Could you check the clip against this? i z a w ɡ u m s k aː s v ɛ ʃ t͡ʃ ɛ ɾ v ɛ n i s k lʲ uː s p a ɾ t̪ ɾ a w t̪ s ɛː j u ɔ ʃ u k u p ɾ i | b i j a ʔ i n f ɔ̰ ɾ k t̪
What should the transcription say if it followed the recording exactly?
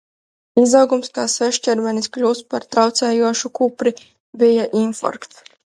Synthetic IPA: i z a w ɡ u m s k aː s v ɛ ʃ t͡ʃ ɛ ɾ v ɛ n i s k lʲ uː s p a ɾ t̪ ɾ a w t̪ s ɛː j u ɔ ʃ u k u p ɾ i | b i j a ʔ i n f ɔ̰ ɾ k t̪